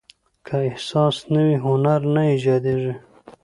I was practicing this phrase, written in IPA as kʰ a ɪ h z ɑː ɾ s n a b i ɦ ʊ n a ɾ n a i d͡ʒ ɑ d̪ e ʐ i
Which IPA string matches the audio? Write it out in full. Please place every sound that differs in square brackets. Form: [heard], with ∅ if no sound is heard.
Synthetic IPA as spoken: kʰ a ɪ h [s] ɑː [∅] s n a [w] i ɦ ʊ n a ɾ n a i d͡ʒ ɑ d̪ e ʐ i